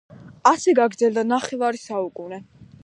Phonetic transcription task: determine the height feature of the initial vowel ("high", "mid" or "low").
low